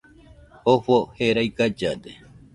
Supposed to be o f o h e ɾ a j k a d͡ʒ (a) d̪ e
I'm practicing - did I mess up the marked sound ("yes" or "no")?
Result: no